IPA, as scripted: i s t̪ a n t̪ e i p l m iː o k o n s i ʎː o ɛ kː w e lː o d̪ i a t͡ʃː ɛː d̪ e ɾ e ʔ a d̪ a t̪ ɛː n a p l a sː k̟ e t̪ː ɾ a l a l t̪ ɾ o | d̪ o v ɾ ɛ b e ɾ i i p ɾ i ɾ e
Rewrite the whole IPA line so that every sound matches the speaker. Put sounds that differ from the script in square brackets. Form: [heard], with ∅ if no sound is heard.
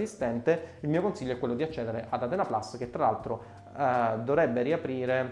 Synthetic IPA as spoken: i s t̪ [ɛ] n t̪ e i [∅] l m iː o k o n s i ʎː o ɛ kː w e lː o d̪ i a t͡ʃː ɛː d̪ e ɾ e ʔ a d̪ a t̪ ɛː n a p l a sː k̟ e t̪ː ɾ a l a l t̪ ɾ o | d̪ o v ɾ ɛ [bː] e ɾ i [a] p ɾ [iː] ɾ e